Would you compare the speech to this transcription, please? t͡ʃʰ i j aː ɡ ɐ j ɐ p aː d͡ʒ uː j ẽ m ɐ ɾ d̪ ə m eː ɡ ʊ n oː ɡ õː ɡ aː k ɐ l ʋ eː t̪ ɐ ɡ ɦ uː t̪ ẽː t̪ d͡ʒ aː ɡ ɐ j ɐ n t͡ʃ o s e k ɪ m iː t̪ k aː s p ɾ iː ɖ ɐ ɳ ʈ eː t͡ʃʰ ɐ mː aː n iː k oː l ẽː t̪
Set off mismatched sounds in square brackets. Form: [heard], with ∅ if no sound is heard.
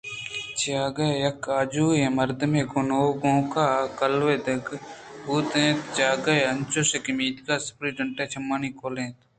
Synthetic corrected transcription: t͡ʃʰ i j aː ɡ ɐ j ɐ [k] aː d͡ʒ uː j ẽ m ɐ ɾ d̪ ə m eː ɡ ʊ n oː ɡ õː [k] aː k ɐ l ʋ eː [d̪] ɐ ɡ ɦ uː t̪ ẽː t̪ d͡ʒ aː ɡ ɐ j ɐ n t͡ʃ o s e k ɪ m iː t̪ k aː s p ɾ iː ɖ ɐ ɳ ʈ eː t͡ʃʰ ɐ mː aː n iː k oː l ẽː t̪